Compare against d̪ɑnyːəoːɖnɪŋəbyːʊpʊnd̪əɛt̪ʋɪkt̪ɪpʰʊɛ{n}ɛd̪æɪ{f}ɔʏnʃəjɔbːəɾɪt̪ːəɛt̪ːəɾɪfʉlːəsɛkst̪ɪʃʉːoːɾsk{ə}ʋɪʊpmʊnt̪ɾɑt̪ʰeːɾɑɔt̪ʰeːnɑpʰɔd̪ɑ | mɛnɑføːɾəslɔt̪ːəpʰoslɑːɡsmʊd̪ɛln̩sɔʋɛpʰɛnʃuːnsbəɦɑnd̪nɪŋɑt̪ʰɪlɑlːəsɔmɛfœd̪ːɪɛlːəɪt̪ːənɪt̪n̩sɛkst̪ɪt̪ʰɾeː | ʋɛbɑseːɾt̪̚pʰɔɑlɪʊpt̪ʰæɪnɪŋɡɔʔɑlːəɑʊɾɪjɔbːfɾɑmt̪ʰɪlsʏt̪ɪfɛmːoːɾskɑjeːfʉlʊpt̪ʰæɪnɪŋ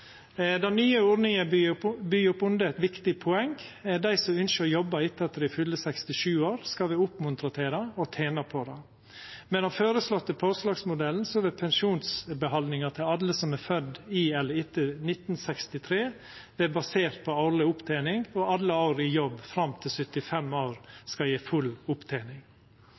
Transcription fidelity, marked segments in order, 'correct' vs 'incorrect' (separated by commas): incorrect, incorrect, incorrect